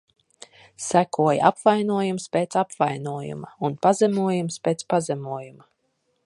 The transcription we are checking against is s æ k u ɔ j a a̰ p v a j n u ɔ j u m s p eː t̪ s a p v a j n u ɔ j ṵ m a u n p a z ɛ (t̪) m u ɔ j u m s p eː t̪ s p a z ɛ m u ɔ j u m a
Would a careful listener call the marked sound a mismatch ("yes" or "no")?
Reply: yes